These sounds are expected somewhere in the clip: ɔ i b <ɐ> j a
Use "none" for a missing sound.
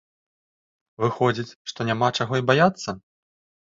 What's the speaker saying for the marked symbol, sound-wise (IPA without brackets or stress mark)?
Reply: a